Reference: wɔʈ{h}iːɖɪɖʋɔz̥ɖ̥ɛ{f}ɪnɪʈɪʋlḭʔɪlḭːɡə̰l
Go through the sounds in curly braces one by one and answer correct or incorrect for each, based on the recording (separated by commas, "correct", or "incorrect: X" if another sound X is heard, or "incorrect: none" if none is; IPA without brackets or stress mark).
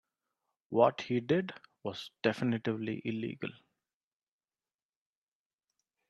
correct, correct